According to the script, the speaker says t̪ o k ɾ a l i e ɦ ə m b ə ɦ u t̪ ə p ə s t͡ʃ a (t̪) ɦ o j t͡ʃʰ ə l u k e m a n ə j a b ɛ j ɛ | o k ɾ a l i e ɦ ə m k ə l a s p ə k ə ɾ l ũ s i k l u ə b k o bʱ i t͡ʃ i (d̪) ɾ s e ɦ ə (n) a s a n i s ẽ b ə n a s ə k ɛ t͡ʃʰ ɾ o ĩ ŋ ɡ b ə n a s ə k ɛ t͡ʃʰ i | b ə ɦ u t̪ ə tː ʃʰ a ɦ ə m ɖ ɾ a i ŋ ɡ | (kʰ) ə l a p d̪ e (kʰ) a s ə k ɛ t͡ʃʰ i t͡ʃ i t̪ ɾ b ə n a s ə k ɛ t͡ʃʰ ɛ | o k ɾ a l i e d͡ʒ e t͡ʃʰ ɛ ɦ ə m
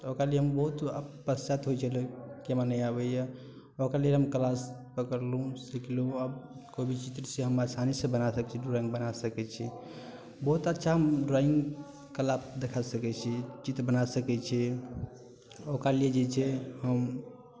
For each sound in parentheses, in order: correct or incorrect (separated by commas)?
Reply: correct, incorrect, incorrect, incorrect, correct